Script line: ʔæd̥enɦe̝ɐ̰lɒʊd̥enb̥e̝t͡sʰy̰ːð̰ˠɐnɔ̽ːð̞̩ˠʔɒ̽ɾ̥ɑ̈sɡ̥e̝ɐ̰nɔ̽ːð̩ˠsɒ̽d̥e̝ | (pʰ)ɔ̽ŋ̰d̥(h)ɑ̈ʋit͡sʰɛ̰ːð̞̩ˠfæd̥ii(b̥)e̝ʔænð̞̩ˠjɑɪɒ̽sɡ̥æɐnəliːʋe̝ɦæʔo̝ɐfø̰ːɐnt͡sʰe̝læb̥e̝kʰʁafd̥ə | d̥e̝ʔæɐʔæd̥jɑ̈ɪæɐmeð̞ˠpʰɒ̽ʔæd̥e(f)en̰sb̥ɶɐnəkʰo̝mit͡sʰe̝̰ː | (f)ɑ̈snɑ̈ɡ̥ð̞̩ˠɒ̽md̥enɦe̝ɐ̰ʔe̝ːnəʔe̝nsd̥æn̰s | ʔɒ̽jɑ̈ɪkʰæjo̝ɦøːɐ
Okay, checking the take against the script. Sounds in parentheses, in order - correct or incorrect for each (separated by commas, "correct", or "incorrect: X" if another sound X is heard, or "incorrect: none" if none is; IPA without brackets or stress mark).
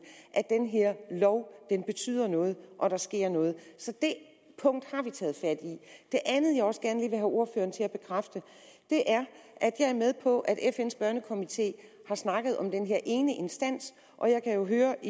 correct, correct, incorrect: d̥, correct, incorrect: h